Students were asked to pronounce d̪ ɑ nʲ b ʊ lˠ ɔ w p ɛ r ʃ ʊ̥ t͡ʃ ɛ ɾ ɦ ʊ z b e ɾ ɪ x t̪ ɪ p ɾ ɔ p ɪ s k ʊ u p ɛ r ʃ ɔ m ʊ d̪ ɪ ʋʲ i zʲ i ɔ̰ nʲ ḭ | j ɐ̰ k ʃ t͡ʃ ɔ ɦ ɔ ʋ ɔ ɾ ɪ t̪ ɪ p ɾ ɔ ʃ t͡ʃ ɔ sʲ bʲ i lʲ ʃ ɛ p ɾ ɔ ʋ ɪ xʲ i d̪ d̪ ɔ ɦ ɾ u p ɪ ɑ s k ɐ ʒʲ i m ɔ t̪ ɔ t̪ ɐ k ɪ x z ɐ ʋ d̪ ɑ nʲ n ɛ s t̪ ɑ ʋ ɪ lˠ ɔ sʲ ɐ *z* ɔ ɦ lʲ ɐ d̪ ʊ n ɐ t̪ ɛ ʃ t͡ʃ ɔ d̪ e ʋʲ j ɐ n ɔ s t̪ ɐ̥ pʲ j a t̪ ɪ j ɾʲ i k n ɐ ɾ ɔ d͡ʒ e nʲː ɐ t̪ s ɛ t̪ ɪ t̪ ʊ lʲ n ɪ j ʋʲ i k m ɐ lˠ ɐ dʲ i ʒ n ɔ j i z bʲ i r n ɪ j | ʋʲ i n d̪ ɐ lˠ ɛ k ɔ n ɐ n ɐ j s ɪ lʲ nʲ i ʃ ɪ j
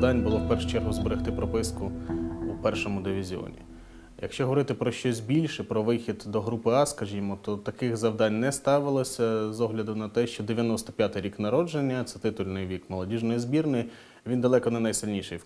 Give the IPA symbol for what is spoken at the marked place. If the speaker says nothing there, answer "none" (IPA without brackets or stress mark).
z